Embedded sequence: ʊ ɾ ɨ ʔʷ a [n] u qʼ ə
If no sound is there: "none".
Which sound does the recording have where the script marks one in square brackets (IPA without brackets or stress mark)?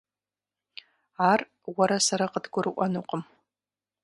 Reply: n